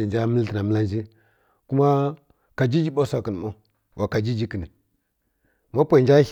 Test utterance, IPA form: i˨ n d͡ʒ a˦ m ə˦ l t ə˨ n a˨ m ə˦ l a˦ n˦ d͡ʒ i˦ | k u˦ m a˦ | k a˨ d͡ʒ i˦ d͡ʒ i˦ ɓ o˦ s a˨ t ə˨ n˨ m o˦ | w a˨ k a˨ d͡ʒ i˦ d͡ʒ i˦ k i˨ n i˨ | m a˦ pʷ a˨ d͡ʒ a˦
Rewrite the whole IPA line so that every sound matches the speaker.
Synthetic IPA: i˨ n d͡ʒ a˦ m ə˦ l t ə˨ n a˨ m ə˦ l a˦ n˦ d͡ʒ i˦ | k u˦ m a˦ | k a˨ d͡ʒ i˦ d͡ʒ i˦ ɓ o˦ s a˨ k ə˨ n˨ m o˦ | w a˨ k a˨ d͡ʒ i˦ d͡ʒ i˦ k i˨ n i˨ | m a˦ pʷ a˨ d͡ʒ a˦